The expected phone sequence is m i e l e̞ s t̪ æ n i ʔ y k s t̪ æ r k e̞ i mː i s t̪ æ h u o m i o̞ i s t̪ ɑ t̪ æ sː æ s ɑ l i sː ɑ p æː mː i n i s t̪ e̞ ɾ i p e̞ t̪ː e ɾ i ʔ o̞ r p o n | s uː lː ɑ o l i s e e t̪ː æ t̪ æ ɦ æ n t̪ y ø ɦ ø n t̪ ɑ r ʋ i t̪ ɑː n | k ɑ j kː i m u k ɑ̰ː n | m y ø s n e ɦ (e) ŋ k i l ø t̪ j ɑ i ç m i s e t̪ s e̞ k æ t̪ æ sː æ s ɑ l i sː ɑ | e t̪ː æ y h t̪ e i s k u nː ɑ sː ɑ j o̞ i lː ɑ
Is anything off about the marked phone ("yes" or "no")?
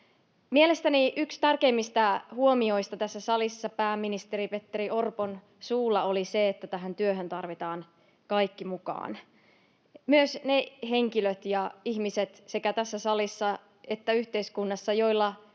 no